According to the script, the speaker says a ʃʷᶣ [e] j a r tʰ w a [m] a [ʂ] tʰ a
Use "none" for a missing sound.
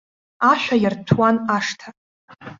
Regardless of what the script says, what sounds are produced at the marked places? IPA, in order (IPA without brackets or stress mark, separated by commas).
a, n, ʂ